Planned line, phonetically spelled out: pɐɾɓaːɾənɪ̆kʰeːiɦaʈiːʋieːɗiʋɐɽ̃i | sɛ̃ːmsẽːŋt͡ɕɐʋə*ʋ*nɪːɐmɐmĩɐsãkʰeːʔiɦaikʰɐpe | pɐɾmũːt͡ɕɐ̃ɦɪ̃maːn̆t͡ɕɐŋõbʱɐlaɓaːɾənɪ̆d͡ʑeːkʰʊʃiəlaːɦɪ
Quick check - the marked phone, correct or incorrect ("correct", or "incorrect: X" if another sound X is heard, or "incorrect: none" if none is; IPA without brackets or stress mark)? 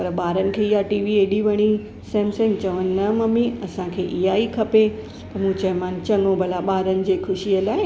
incorrect: none